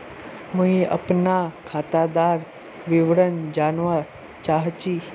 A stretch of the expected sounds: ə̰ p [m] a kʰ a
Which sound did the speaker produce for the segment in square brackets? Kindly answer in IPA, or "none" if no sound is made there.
n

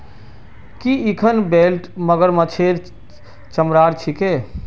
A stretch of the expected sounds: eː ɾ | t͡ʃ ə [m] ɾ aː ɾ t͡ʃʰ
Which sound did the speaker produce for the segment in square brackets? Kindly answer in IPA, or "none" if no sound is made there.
m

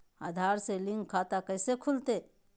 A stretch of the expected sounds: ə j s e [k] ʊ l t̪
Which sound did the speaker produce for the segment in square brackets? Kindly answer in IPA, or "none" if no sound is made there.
kʰ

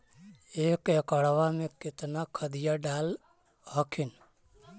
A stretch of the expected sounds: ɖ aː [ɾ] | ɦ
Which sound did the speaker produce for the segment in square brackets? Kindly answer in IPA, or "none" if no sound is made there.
l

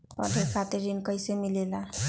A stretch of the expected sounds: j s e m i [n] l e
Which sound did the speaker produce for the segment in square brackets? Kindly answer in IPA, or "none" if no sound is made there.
none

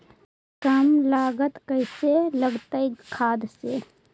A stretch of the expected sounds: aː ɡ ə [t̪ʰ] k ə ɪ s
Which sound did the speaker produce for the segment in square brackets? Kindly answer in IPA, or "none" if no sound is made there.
t̪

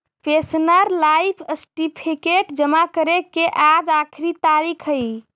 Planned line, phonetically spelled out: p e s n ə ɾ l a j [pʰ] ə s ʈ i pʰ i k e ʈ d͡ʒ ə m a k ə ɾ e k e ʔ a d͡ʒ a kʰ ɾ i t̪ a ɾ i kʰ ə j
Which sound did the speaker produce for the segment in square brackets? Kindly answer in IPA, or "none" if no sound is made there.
pʰ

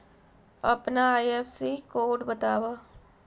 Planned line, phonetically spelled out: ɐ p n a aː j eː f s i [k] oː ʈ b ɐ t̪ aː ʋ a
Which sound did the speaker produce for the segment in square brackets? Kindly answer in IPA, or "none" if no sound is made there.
k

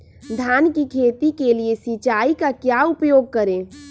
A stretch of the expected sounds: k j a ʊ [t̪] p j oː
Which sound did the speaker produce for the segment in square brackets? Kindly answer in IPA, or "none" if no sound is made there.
none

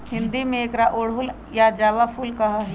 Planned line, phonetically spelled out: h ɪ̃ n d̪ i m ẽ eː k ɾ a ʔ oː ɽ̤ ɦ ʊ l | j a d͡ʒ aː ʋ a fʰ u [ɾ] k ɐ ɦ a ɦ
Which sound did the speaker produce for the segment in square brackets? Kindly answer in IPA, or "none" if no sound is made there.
l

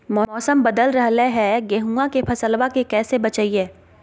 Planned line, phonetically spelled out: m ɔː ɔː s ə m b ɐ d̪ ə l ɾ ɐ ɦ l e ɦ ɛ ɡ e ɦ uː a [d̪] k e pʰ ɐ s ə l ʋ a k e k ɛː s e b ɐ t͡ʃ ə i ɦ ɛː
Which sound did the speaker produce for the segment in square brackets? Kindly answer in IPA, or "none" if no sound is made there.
none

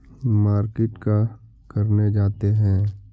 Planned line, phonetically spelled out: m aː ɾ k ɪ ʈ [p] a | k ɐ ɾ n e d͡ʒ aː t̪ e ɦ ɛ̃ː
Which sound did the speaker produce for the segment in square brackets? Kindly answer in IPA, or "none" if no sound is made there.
k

